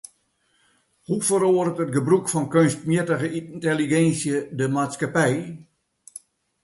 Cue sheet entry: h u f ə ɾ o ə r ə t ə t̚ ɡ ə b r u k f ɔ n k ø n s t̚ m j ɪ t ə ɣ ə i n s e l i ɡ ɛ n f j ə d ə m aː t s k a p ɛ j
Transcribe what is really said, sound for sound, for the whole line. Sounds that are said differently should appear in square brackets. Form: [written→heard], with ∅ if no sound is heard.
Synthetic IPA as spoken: h u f ə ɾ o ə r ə t ə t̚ ɡ ə b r u k f ɔ n k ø n s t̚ m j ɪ t ə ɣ ə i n [s→t] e l i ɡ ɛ n [f→s] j ə d ə m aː t s k a p ɛ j